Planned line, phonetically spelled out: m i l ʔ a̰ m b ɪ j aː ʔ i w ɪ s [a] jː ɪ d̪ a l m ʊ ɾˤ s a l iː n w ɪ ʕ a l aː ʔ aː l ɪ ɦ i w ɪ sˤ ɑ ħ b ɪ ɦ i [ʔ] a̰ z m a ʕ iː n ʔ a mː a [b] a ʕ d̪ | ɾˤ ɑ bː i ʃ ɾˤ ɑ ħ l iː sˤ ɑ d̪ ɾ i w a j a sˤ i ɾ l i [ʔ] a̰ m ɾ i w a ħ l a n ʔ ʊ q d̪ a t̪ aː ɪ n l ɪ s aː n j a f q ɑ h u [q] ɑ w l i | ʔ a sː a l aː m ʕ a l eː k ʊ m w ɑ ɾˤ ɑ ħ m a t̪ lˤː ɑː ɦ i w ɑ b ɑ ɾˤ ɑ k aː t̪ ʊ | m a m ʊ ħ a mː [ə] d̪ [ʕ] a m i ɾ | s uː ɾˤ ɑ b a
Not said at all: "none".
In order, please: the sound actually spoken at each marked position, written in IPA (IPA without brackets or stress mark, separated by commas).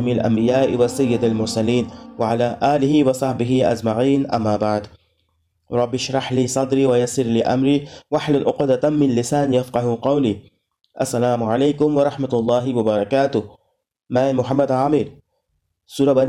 a, ʔ, b, ʔ, q, a, ʕ